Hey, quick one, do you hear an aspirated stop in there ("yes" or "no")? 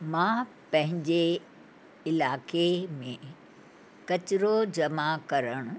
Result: no